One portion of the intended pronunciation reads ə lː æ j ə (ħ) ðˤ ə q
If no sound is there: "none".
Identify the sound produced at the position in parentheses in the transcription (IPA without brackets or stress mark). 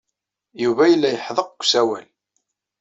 ħ